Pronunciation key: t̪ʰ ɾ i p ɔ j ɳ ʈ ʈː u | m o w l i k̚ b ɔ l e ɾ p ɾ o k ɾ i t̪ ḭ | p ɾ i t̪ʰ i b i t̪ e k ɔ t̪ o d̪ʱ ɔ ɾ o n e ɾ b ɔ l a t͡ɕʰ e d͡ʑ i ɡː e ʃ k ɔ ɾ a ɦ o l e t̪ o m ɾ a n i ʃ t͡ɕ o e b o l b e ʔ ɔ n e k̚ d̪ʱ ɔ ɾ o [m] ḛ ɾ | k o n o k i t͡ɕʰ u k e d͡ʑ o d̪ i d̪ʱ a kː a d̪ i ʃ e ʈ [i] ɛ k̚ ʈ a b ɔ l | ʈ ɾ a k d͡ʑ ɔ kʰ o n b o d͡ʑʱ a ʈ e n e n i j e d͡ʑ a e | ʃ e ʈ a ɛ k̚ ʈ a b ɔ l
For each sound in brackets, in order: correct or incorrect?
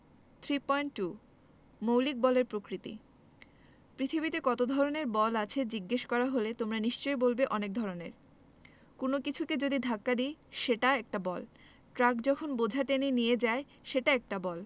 incorrect, incorrect

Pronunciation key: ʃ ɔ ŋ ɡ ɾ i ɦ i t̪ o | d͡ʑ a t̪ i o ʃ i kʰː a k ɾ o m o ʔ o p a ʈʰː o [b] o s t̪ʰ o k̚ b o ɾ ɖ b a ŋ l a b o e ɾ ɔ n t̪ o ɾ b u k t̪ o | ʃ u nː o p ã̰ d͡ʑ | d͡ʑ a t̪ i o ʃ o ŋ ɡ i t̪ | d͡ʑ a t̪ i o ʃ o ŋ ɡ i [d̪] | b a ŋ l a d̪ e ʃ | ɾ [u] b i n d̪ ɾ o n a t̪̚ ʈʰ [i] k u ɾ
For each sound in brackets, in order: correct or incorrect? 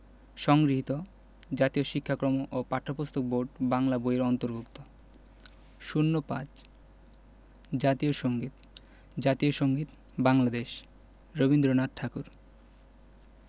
incorrect, incorrect, incorrect, incorrect

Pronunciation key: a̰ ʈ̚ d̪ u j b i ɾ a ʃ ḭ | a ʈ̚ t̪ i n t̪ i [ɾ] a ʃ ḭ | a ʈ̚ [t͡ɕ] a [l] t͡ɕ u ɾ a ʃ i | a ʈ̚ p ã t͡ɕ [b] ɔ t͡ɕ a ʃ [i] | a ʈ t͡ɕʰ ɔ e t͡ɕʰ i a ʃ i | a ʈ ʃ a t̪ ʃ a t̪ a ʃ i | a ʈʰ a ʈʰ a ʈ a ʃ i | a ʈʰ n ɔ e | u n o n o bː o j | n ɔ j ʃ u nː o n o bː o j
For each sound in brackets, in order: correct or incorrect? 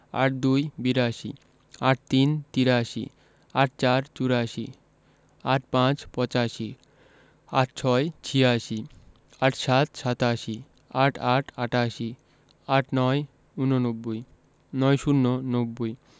correct, correct, incorrect, incorrect, correct

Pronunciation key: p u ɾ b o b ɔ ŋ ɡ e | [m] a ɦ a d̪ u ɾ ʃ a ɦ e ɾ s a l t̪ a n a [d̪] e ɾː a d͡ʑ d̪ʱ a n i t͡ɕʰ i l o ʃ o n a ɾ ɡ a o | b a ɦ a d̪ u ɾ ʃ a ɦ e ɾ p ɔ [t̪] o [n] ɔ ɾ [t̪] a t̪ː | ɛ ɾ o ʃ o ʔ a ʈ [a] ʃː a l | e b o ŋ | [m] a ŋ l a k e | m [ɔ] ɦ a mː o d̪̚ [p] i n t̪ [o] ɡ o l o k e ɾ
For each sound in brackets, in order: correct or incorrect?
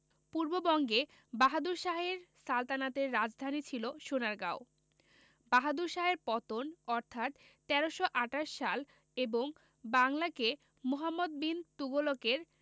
incorrect, incorrect, correct, correct, incorrect, correct, incorrect, incorrect, incorrect, incorrect

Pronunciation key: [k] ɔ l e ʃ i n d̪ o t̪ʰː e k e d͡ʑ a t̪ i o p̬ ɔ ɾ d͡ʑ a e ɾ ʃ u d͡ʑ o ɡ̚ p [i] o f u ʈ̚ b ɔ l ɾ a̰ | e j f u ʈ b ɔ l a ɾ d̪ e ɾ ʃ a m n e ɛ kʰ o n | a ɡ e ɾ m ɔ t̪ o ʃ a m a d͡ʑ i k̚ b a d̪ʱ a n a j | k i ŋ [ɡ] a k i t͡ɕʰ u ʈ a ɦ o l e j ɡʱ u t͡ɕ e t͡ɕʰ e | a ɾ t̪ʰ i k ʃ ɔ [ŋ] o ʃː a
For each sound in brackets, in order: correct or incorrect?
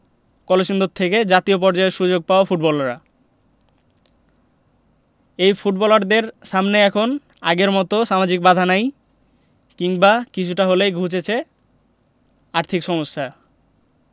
correct, incorrect, incorrect, incorrect

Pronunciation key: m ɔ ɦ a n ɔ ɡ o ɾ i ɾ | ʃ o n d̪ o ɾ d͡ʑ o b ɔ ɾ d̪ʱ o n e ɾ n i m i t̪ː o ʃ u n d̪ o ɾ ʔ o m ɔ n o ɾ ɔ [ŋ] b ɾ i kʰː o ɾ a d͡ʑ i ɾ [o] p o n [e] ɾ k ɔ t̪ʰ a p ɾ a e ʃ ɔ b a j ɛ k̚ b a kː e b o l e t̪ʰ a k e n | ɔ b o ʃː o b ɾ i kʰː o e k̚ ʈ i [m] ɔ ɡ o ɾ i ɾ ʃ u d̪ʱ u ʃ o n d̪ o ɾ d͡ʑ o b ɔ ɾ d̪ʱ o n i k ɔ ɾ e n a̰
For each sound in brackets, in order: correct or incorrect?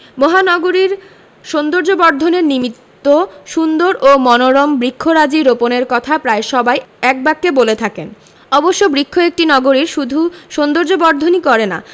incorrect, correct, correct, incorrect

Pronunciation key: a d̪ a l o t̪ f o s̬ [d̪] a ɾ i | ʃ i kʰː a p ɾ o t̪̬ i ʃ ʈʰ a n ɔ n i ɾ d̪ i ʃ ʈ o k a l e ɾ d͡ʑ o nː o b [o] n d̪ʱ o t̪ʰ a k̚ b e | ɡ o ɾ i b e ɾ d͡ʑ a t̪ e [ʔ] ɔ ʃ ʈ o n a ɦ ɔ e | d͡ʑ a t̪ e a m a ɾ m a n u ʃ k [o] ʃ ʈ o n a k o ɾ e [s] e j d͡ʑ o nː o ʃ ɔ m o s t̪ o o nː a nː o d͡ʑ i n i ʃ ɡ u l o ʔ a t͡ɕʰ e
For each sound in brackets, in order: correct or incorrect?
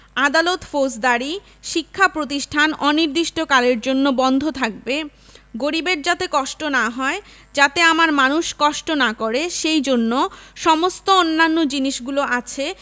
correct, incorrect, incorrect, incorrect, incorrect

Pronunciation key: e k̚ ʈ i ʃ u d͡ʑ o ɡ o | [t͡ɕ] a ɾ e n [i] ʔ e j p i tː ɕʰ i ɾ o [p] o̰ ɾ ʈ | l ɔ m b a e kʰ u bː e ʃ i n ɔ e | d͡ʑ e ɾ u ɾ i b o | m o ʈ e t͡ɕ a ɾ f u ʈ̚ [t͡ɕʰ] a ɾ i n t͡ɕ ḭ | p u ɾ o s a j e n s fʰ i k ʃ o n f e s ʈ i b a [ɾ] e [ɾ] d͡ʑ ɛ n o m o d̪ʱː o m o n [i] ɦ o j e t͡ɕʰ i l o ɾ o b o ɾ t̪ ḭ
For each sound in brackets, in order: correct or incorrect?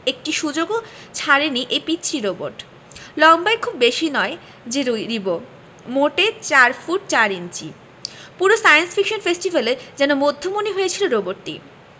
incorrect, correct, incorrect, incorrect, incorrect, correct, correct

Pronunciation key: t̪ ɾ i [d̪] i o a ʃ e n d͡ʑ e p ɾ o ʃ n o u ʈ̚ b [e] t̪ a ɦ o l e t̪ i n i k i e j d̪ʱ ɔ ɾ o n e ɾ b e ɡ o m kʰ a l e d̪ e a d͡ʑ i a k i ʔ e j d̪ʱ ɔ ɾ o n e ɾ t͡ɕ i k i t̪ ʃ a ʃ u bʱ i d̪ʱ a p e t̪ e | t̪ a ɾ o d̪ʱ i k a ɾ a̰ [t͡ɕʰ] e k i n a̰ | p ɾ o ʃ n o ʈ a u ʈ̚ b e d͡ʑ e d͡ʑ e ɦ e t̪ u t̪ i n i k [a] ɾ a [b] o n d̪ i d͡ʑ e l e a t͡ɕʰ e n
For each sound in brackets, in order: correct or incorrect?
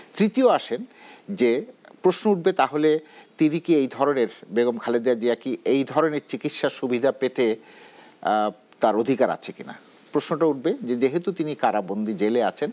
incorrect, correct, correct, correct, correct

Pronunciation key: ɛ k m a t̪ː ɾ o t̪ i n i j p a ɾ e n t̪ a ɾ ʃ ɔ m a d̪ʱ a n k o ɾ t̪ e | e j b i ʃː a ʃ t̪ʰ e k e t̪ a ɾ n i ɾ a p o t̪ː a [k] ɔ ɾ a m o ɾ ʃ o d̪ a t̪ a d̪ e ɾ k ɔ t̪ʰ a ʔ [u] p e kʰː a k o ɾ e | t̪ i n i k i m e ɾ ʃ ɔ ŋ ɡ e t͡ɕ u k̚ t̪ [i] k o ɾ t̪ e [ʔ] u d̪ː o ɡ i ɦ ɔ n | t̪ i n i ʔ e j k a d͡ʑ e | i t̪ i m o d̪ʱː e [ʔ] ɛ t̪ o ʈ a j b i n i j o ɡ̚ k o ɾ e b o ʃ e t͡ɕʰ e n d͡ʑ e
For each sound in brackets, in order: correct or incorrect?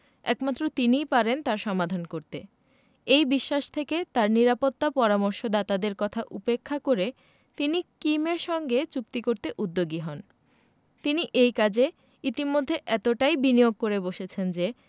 incorrect, correct, correct, correct, correct

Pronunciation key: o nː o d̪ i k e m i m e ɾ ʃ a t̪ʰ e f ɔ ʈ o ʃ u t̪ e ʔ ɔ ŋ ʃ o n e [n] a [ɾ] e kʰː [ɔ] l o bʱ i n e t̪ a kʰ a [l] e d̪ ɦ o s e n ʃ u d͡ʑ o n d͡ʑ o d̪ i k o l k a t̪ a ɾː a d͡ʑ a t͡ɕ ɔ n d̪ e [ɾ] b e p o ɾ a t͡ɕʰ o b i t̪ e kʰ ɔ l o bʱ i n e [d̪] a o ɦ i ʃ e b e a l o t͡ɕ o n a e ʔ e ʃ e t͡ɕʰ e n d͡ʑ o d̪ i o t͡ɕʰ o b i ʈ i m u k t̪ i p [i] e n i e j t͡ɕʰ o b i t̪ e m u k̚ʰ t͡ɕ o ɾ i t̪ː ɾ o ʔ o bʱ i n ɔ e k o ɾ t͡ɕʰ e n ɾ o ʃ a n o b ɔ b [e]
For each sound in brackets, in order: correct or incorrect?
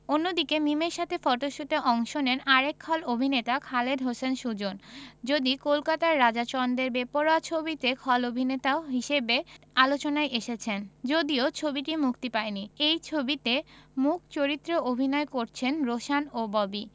correct, correct, correct, correct, correct, incorrect, incorrect, incorrect

